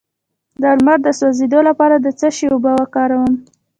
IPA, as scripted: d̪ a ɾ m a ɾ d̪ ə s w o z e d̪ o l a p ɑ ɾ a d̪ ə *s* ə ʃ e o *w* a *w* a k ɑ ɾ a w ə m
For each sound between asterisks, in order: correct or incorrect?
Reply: incorrect, incorrect, correct

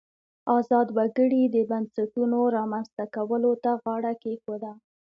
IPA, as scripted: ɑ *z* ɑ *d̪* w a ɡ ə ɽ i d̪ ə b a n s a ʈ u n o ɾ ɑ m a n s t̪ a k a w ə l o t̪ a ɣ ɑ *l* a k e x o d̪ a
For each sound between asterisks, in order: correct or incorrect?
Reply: correct, correct, incorrect

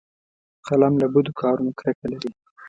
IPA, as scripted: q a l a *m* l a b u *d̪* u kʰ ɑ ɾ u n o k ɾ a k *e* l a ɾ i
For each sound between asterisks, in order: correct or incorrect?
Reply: correct, correct, incorrect

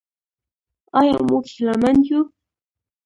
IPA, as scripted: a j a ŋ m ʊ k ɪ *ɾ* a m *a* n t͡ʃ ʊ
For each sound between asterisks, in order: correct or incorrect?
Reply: incorrect, correct

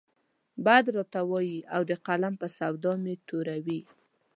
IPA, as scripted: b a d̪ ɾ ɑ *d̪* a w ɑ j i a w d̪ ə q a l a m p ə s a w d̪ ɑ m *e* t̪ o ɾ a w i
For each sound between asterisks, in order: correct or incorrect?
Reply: incorrect, correct

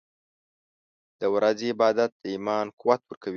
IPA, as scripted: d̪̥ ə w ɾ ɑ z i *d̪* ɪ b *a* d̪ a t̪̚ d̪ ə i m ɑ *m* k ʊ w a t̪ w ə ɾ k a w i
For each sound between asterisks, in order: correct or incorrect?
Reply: incorrect, incorrect, incorrect

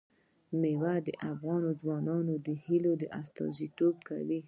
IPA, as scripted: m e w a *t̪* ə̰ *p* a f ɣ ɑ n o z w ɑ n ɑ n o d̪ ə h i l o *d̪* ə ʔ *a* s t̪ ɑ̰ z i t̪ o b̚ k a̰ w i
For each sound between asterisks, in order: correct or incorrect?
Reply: incorrect, incorrect, correct, correct

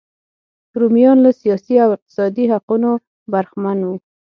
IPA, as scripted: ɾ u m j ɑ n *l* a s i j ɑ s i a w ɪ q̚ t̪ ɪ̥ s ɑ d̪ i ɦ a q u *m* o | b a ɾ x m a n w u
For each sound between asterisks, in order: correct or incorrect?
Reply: correct, incorrect

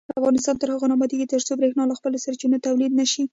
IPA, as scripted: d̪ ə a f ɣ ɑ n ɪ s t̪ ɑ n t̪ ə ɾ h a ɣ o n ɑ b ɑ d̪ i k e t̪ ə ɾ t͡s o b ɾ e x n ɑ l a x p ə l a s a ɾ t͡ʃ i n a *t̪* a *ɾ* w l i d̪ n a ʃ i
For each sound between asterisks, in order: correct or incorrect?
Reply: correct, incorrect

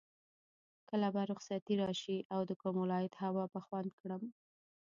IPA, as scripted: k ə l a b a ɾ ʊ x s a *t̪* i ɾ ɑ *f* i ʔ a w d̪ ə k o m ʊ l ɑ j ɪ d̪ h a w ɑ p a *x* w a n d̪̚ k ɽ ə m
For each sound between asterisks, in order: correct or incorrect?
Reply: correct, incorrect, correct

